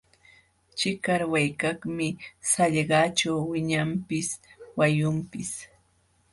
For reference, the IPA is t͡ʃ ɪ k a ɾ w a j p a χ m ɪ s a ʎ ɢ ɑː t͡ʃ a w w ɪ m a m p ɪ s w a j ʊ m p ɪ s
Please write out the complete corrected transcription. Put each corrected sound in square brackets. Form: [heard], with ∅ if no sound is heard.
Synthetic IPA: t͡ʃ ɪ k a ɾ w a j [k] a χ m ɪ s a ʎ ɢ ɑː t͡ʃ a w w ɪ [ɲ] a m p ɪ s w a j ʊ m p ɪ s